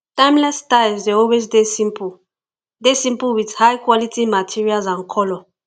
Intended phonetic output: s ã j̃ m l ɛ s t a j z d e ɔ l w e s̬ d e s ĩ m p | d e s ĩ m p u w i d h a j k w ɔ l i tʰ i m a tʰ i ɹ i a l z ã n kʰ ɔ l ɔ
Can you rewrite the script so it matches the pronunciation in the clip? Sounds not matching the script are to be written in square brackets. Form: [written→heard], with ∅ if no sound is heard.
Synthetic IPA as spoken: [s→t] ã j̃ m l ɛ s t a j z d e ɔ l w e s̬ d e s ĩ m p | d e s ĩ m p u w i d h a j k w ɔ l i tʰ i m a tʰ i ɹ i a l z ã n kʰ ɔ l ɔ

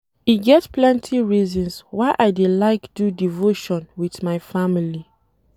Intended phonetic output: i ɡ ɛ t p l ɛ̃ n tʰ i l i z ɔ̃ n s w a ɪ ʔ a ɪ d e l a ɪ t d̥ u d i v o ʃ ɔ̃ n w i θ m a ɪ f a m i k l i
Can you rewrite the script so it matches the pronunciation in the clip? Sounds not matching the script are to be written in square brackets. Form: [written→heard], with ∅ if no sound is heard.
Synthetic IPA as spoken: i ɡ ɛ t p l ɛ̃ n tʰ i [l→ɹ] i z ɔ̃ n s w a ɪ ʔ a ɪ d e l a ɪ [t→k] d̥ u d i v o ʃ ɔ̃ n w i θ m a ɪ f a m i [k→∅] l i

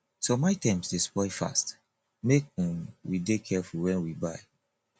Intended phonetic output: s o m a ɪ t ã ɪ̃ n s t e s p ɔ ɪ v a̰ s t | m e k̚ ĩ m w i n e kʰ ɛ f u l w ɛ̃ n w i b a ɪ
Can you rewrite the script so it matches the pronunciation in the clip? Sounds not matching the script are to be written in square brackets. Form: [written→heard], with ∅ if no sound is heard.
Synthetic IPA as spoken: s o m a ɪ t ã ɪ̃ [n→m] s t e s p ɔ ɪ [v→f] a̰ s t | m e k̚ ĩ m w i [n→d] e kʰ ɛ f u l w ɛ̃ n w i b a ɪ

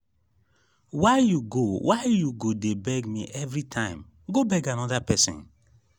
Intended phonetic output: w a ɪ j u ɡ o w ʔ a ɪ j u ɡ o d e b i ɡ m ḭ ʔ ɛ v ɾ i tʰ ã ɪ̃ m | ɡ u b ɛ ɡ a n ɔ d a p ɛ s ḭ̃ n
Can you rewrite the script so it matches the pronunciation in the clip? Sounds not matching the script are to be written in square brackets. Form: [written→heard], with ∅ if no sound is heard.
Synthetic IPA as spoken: w a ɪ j u ɡ o w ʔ a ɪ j u ɡ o d e b [i→ɛ] ɡ m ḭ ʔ ɛ v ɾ i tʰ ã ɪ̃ m | ɡ [u→o] b ɛ ɡ a n ɔ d a p ɛ s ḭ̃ n

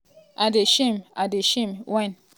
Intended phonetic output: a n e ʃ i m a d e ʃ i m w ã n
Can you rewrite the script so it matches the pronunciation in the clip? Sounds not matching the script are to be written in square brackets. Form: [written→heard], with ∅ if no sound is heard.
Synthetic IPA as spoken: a [n→d] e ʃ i m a d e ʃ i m w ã n

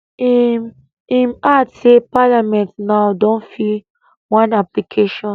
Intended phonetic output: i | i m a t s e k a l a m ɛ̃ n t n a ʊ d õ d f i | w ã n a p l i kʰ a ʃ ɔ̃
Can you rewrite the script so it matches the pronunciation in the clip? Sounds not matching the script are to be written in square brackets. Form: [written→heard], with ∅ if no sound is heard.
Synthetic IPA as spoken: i | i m a t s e [k→p] a l a m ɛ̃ n t n a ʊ d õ [d→n] f i | w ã n a p l i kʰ [a→e] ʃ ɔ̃

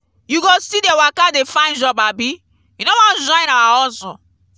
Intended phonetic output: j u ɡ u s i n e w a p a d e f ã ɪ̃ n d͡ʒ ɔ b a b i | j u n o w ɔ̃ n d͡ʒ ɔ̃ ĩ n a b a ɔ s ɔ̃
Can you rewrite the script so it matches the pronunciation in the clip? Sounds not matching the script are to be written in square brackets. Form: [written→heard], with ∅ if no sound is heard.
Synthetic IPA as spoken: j u ɡ [u→o] s i [n→d] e w a [p→k] a d e f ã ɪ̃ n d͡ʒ ɔ b a b i | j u n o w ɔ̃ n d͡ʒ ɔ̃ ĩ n a [b→w] a ɔ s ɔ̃

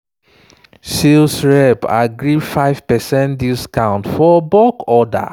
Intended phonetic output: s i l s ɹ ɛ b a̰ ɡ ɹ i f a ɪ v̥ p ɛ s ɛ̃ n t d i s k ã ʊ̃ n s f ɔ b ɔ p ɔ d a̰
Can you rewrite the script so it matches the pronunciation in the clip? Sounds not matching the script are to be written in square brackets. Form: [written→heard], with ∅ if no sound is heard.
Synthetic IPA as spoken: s i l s ɹ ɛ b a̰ ɡ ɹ i f a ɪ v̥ p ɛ s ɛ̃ n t d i s k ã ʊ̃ n [s→t] f ɔ b ɔ [p→k] ɔ d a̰

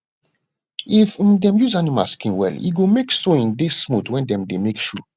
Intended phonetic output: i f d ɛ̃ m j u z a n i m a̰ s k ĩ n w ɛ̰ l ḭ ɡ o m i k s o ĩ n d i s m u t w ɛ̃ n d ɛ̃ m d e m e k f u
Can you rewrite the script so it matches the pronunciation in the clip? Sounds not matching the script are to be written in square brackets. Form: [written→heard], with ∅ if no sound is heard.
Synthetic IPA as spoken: i f d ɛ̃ m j u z a n i m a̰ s k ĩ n w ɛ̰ l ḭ ɡ o m [i→e] k s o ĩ n d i s m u t w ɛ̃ n d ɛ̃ m d e m e k [f→ʃ] u

